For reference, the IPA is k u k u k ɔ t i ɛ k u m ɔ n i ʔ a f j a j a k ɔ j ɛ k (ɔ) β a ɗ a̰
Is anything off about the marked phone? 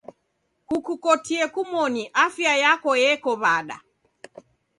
no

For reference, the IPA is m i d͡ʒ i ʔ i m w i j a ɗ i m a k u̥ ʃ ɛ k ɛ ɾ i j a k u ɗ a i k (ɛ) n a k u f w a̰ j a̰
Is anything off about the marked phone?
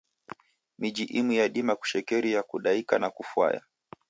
yes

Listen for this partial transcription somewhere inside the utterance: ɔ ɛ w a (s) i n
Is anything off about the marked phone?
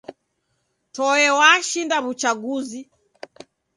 yes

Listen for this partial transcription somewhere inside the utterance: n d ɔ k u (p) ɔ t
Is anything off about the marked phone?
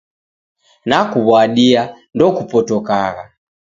no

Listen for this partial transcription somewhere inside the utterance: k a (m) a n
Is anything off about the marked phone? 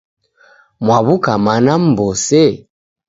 no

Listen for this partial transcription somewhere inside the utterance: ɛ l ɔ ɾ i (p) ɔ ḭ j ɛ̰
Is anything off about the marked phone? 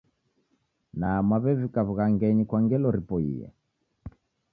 no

